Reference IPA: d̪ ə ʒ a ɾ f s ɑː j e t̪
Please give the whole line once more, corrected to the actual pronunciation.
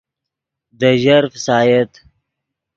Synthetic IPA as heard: d̪ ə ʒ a ɾ f s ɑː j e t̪